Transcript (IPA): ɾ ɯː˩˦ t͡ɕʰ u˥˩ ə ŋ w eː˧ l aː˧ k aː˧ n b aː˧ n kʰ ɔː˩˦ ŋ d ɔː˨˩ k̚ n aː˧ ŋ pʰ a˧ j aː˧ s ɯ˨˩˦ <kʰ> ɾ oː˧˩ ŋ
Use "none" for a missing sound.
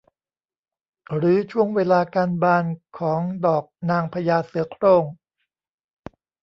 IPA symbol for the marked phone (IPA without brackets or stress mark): kʰ